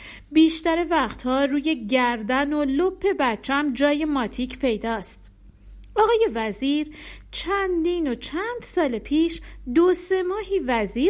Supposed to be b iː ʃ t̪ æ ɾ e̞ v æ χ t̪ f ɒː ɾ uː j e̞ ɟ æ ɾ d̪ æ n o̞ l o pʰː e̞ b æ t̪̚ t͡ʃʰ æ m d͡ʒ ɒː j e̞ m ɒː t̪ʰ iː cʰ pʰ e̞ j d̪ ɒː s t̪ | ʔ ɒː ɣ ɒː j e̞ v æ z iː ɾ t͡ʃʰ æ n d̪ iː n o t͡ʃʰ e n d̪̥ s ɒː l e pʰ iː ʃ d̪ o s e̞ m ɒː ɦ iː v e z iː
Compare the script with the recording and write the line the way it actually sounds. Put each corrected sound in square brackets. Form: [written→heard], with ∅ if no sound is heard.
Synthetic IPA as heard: b iː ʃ t̪ æ ɾ e̞ v æ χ t̪ [f→h] ɒː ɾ uː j e̞ ɟ æ ɾ d̪ æ n o̞ l o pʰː e̞ b æ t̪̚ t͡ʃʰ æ m d͡ʒ ɒː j e̞ m ɒː t̪ʰ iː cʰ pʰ e̞ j d̪ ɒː s t̪ | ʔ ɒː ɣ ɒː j e̞ v æ z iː ɾ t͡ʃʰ æ n d̪ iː n o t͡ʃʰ [e→æ] n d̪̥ s ɒː l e pʰ iː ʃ d̪ o s e̞ m ɒː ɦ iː v [e→æ] z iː